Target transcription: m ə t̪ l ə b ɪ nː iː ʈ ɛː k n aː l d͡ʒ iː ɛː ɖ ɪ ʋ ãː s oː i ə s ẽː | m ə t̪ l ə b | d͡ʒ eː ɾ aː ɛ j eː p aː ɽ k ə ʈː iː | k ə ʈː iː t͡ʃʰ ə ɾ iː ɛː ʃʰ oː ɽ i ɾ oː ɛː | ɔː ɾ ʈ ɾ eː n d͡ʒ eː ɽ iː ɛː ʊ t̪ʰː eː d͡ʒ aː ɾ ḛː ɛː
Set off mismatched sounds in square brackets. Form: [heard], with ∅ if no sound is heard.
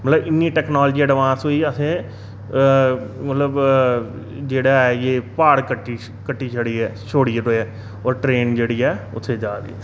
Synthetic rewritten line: m ə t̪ l ə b ɪ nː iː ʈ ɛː k n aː l d͡ʒ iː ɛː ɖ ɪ ʋ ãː s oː i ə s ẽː | m ə t̪ l ə b | d͡ʒ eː [ɽ] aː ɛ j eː p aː ɽ k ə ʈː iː | k ə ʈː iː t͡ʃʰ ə [ɽ] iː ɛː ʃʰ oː ɽ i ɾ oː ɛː | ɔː ɾ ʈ ɾ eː n d͡ʒ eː ɽ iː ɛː ʊ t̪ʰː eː d͡ʒ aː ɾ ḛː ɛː